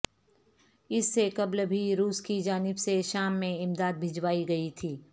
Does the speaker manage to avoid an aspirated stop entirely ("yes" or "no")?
no